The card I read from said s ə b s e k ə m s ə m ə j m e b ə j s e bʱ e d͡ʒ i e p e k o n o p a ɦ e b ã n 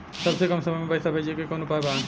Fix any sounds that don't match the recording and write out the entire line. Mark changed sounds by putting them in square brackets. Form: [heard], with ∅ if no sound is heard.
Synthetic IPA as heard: s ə b s e k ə m s ə m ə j m e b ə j s [a] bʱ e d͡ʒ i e [k] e k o n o p a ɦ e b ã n